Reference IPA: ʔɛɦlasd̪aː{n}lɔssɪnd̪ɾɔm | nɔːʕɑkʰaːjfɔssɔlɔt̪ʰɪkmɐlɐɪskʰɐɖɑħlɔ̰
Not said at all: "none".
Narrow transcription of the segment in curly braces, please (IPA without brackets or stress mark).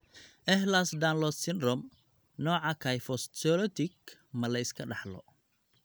n